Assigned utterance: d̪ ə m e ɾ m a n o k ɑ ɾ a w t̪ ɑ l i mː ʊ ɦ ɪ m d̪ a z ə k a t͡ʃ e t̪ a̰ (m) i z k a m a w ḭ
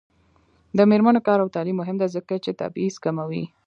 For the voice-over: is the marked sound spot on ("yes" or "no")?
no